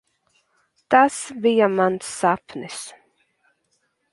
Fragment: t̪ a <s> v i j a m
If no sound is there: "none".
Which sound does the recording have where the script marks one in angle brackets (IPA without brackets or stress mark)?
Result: s